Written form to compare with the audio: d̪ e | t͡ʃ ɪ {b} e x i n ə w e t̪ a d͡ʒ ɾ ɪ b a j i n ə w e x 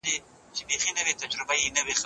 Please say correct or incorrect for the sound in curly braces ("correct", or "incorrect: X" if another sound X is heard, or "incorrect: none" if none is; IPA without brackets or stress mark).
correct